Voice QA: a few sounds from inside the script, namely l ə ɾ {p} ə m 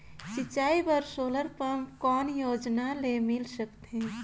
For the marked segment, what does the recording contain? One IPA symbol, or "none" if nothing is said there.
p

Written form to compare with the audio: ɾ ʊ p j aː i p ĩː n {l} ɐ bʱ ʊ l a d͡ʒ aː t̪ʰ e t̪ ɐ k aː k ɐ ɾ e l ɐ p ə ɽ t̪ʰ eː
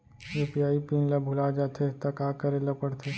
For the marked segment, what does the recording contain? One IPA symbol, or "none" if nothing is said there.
l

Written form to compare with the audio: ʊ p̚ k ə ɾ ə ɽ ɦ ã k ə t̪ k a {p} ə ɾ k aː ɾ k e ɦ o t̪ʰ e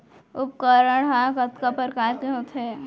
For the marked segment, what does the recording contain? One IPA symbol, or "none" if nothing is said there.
p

